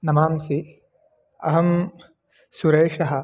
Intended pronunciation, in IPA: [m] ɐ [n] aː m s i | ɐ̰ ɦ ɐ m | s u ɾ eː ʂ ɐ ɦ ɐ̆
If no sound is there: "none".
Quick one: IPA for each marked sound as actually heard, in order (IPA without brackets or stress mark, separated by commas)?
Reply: n, m